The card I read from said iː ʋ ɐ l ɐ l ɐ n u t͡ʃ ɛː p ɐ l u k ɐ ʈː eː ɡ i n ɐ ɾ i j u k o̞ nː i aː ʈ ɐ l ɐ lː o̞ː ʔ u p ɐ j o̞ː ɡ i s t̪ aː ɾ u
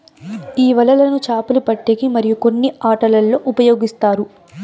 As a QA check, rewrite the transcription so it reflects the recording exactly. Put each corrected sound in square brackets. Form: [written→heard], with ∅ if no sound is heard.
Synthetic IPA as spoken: iː ʋ ɐ l ɐ l ɐ n u t͡ʃ [ɛː→aː] p ɐ l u [k→p] ɐ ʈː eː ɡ i [n→m] ɐ ɾ i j u k o̞ nː i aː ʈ ɐ l ɐ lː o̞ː ʔ u p ɐ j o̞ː ɡ i s t̪ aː ɾ u

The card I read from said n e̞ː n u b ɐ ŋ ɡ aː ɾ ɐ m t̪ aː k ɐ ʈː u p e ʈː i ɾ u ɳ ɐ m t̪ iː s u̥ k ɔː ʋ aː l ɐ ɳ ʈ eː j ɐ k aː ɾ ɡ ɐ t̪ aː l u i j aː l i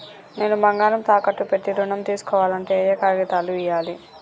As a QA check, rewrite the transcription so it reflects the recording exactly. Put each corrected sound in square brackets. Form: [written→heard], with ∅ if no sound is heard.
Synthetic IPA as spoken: n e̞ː n u b ɐ ŋ ɡ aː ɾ ɐ m t̪ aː k ɐ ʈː u p e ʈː i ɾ u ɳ ɐ m t̪ iː s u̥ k ɔː ʋ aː l ɐ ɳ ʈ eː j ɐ k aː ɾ ɡ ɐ t̪ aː l u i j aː l i

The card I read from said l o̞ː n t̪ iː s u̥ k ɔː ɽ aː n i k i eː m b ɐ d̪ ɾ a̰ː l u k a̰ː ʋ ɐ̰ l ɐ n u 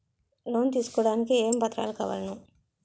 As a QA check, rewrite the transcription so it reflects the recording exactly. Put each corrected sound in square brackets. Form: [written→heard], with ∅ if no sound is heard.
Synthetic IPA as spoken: l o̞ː n t̪ iː s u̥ k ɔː ɽ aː n i k i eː m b ɐ [d̪→t̪] ɾ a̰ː l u k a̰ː ʋ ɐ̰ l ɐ n u

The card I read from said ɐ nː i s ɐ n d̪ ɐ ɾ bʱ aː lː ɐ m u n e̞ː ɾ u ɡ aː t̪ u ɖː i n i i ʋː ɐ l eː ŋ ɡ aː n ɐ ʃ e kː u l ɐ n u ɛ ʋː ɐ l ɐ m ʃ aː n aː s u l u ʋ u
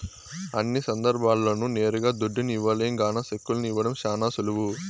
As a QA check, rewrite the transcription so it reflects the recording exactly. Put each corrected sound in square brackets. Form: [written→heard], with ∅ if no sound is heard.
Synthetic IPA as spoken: ɐ nː i s ɐ n d̪ ɐ ɾ bʱ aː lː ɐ [m→n] u n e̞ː ɾ u ɡ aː [t̪→d̪] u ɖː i n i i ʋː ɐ l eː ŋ ɡ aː n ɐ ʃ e kː u l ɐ n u [ɛ→i] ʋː ɐ [l→ɽ] ɐ m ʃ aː n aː s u l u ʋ u

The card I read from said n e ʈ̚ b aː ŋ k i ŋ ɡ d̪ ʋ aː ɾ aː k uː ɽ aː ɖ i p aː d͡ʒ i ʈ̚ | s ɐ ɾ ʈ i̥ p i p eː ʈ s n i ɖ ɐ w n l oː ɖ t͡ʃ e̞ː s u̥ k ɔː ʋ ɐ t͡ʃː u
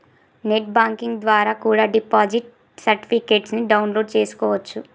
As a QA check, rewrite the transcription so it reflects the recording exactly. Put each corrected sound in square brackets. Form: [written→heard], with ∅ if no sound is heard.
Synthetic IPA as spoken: n e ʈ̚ b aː ŋ k i ŋ ɡ d̪ ʋ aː ɾ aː k uː ɽ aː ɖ i p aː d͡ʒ i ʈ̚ | s ɐ ɾ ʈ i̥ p i [p→k] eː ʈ s n i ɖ ɐ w n l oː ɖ t͡ʃ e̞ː s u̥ k ɔː ʋ ɐ t͡ʃː u

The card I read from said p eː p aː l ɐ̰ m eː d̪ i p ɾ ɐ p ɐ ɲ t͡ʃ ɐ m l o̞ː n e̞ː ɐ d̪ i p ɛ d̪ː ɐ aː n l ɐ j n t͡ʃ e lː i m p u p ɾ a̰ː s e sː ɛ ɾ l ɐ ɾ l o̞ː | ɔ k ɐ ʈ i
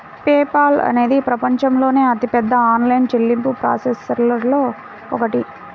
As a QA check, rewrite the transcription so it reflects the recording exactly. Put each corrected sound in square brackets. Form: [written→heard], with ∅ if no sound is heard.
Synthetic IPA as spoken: p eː p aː l ɐ̰ [m→n] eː d̪ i p ɾ ɐ p ɐ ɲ t͡ʃ ɐ m l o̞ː n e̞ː ɐ [d̪→t̪] i p ɛ d̪ː ɐ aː n l ɐ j n t͡ʃ e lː i m p u p ɾ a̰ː s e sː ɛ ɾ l ɐ ɾ l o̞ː | ɔ k ɐ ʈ i

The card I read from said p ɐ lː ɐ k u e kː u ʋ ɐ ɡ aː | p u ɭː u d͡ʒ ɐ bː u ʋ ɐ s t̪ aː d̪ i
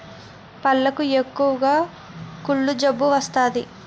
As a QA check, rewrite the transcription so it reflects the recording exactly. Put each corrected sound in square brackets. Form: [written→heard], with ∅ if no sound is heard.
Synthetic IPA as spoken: p ɐ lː ɐ k u e kː u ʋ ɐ ɡ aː | [p→k] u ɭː u d͡ʒ ɐ bː u ʋ ɐ s t̪ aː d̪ i

